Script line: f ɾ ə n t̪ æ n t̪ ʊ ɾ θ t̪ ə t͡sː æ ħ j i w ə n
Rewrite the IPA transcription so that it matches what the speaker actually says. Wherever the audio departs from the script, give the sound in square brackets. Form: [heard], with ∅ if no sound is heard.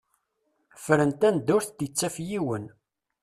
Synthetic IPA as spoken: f ɾ ə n t̪ æ n [d̪] ʊ ɾ θ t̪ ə t͡sː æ [f] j i w ə n